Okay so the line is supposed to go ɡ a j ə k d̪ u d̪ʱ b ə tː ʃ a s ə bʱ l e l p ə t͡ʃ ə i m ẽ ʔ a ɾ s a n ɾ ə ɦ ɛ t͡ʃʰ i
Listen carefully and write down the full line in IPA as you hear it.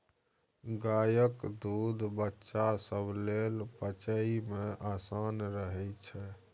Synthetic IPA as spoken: ɡ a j ə k d̪ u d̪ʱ b ə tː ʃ a s ə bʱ l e l p ə t͡ʃ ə i m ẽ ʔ a s a n ɾ ə ɦ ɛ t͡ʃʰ ɛ